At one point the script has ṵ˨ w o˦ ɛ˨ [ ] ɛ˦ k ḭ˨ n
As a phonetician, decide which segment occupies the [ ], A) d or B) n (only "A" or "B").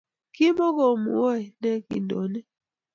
B